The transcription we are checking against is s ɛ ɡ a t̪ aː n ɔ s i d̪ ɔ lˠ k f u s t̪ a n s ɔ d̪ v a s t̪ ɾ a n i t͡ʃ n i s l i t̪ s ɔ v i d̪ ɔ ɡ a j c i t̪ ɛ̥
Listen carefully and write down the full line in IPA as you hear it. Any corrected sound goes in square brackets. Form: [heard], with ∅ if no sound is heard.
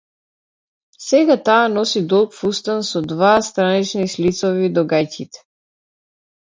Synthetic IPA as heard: s ɛ ɡ a t̪ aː n ɔ s i d̪ ɔ lˠ k f u s t̪ a n s ɔ d̪ v a s t̪ ɾ a n i t͡ʃ n i s l i t̪ s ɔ v i d̪ ɔ ɡ a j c i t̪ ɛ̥